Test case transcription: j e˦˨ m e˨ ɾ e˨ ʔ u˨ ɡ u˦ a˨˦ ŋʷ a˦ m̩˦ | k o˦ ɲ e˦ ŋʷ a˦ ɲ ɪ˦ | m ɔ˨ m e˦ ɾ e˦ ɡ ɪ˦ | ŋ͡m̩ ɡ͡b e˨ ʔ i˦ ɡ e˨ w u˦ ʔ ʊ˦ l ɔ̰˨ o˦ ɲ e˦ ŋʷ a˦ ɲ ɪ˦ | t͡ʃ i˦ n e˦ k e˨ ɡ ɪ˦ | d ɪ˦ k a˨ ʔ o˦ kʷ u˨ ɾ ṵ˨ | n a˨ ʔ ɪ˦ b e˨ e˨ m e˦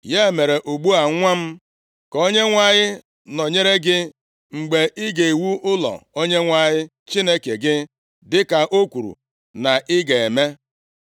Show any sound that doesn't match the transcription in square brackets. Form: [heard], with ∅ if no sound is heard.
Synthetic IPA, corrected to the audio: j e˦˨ m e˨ ɾ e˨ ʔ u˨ [ɡ͡b] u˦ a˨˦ ŋʷ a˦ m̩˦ | k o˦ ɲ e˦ ŋʷ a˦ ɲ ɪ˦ | [n] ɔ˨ [ɲ] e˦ ɾ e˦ ɡ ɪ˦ | ŋ͡m̩ ɡ͡b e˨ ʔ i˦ ɡ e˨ w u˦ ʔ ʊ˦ l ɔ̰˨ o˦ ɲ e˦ ŋʷ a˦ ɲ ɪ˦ | t͡ʃ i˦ n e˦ k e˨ ɡ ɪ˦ | d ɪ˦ k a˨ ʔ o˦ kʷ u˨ ɾ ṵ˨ | n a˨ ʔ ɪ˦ [ɡ] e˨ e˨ m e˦

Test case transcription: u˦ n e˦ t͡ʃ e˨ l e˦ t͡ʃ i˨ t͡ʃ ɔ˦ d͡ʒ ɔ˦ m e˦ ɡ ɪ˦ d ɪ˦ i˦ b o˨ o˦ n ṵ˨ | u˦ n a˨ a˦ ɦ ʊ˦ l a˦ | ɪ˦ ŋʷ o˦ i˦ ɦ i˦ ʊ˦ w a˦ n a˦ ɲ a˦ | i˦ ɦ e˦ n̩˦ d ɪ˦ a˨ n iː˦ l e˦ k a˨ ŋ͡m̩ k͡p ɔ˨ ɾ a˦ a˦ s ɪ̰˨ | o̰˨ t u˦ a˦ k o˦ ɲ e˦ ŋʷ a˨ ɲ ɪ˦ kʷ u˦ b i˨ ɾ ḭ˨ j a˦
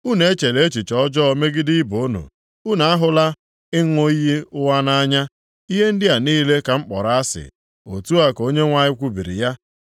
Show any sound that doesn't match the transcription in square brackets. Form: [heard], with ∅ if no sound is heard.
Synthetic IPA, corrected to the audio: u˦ n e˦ t͡ʃ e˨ l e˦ t͡ʃ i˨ t͡ʃ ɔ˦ d͡ʒ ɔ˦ m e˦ ɡ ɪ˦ d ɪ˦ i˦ b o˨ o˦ n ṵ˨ | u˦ n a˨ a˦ ɦ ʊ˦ l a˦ | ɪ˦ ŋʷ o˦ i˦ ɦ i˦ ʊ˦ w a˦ n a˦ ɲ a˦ | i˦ ɦ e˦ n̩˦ d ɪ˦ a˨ n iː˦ l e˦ k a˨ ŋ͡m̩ k͡p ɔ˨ ɾ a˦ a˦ s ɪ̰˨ | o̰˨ t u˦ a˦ k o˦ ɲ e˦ ŋʷ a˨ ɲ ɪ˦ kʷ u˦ b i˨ ɾ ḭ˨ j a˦

